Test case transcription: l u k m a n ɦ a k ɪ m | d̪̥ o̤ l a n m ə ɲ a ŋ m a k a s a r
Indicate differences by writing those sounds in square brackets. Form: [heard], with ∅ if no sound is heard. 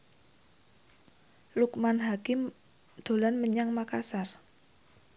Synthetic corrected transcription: l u k m a n ɦ a k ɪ m | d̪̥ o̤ l a n m ə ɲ a ŋ m a k a s a r